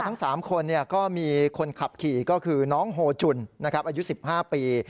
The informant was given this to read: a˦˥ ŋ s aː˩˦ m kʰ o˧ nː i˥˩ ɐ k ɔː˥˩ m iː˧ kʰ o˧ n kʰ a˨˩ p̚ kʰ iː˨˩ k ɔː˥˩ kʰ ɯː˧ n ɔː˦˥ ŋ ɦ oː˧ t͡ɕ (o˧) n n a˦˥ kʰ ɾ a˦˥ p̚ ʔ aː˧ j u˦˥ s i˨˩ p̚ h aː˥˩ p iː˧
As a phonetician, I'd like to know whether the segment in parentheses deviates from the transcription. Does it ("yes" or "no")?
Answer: yes